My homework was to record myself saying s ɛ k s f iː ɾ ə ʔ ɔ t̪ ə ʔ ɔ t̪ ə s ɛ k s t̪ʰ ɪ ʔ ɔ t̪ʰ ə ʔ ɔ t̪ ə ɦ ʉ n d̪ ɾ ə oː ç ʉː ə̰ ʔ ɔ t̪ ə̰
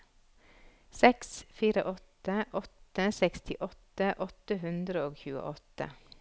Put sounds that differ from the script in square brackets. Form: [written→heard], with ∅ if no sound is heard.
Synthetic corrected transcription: s ɛ k s f iː ɾ ə ʔ ɔ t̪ ə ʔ ɔ t̪ ə s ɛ k s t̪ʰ ɪ ʔ ɔ [t̪ʰ→t̪] ə ʔ ɔ t̪ ə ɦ ʉ n d̪ ɾ ə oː ç ʉː ə̰ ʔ ɔ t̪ ə̰